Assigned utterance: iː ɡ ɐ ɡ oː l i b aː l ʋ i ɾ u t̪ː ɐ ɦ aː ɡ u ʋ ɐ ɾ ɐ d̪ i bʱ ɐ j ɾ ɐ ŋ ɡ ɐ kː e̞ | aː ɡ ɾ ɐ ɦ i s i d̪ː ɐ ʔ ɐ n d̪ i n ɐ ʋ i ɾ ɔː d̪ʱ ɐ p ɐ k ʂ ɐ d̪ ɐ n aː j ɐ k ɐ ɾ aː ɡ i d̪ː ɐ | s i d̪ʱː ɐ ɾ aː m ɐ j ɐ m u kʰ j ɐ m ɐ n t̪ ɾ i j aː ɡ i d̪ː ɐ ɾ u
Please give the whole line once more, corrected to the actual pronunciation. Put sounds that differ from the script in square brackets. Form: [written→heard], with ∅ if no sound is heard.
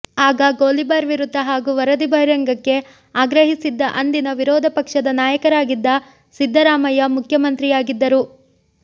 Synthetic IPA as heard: [iː→aː] ɡ ɐ ɡ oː l i b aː [l→ɾ] ʋ i ɾ u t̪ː ɐ ɦ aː ɡ u ʋ ɐ ɾ ɐ d̪ i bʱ ɐ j ɾ ɐ ŋ ɡ ɐ kː e̞ | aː ɡ ɾ ɐ ɦ i s i d̪ː ɐ ʔ ɐ n d̪ i n ɐ ʋ i ɾ ɔː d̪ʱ ɐ p ɐ k ʂ ɐ d̪ ɐ n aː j ɐ k ɐ ɾ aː ɡ i d̪ː ɐ | s i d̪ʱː ɐ ɾ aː m ɐ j ɐ m u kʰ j ɐ m ɐ n t̪ ɾ i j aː ɡ i d̪ː ɐ ɾ u